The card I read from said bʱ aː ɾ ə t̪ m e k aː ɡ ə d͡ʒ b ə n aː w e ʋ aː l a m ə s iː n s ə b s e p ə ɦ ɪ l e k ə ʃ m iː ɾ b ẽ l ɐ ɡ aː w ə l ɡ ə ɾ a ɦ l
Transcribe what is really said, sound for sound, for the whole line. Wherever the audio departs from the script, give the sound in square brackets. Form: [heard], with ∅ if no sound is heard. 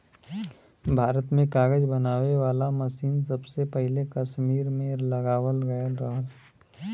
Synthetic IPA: bʱ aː ɾ ə t̪ m [ẽ] k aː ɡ ə d͡ʒ b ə n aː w e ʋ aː l a m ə s iː n s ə b s e p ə ɦ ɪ l e k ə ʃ m iː ɾ [m] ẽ l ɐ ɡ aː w ə l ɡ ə ɾ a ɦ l